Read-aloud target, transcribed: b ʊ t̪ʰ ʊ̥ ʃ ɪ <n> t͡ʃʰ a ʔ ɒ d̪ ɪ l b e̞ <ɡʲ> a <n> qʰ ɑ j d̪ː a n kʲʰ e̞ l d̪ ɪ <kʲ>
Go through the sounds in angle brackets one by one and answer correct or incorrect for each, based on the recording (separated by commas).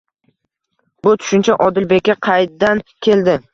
correct, incorrect, incorrect, incorrect